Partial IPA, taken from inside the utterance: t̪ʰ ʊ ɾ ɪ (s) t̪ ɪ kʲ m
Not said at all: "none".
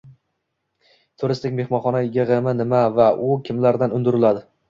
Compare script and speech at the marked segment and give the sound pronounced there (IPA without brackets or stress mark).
s